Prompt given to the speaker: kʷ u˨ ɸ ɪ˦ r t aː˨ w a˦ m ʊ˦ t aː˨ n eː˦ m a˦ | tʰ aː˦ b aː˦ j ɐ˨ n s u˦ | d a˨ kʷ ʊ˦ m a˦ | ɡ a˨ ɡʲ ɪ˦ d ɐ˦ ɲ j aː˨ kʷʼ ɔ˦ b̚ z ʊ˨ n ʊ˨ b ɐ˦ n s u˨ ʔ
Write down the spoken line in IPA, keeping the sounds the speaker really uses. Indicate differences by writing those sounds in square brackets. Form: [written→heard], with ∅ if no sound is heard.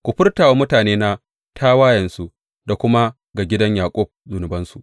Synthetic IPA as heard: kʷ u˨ ɸ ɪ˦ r t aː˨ w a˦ m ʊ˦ t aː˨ n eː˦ [m→n] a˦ | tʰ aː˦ [b→w] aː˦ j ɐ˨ n s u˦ | d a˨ kʷ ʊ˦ m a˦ | ɡ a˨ ɡʲ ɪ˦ d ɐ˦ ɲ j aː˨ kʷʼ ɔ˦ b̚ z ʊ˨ n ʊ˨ b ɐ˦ n s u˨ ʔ